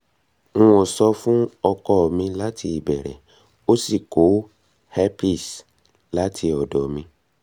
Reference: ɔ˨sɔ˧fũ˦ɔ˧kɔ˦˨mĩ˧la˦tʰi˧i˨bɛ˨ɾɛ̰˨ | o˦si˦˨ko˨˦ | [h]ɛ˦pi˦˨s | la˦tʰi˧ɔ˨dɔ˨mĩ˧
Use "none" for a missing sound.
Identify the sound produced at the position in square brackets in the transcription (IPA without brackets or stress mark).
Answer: h